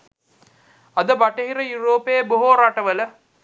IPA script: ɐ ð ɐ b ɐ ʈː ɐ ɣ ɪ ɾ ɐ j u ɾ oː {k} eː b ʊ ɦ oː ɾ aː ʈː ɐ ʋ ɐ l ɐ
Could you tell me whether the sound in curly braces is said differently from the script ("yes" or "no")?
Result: yes